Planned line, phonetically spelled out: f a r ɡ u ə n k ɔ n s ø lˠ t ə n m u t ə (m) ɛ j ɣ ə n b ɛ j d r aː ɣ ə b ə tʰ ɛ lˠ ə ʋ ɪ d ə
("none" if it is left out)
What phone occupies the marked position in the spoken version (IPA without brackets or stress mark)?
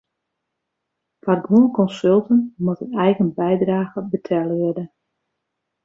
n